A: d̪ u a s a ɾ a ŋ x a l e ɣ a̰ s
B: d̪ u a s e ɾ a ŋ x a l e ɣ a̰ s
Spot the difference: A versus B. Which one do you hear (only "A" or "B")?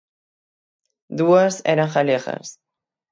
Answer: B